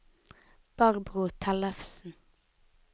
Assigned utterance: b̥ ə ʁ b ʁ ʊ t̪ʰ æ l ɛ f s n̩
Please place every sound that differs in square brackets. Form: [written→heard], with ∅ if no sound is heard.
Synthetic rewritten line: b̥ [ə→ɑ] ʁ b ʁ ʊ t̪ʰ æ l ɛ f s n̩

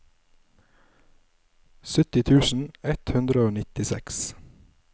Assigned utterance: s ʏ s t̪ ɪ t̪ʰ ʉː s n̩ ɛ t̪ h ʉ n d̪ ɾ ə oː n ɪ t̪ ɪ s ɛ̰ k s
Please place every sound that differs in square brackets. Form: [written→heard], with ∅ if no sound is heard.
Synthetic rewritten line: s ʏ [s→∅] t̪ ɪ t̪ʰ ʉː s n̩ ɛ t̪ h ʉ n d̪ ɾ ə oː n ɪ t̪ ɪ s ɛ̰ k s

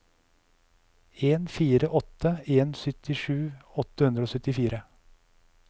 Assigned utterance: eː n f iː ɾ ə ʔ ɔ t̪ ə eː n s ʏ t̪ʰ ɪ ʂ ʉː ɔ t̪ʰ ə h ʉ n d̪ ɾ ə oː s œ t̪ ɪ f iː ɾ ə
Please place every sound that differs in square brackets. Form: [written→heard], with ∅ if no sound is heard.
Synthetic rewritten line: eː n f iː ɾ ə ʔ ɔ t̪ ə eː n s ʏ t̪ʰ ɪ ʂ ʉː ɔ [t̪ʰ→t̪] ə h ʉ n d̪ ɾ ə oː s œ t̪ ɪ f iː ɾ ə

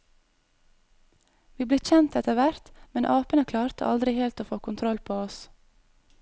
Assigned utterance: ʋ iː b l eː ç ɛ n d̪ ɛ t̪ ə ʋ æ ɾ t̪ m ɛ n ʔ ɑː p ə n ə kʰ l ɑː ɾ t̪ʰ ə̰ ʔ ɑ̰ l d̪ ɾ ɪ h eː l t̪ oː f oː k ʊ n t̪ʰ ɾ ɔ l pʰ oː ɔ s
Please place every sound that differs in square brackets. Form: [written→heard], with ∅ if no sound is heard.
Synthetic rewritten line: ʋ iː b l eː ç ɛ n [d̪→t̪] ɛ t̪ ə ʋ æ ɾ t̪ m ɛ n ʔ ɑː p ə n ə kʰ l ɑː ɾ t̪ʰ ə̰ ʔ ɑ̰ l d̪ ɾ ɪ h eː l t̪ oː f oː k ʊ n t̪ʰ ɾ ɔ l pʰ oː ɔ s

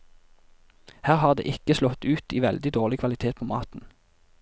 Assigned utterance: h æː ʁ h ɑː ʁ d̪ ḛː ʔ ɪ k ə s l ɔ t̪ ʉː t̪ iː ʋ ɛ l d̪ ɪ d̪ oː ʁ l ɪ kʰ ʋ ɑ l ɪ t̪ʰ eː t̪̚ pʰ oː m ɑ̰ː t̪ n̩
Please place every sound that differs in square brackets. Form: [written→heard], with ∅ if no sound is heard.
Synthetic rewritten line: h æː ʁ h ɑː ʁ d̪ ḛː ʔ ɪ k ə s l ɔ t̪ ʉː t̪ iː ʋ ɛ l d̪ ɪ d̪ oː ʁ l ɪ kʰ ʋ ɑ l ɪ t̪ʰ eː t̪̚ pʰ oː m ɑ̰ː t̪ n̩

